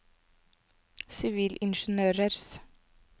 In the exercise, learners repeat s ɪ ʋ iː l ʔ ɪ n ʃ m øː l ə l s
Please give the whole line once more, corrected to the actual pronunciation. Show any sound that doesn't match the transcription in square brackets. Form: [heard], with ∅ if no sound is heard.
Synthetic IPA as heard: s ɪ ʋ iː l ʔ ɪ n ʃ [n] øː [ɾ] ə [ɾ] s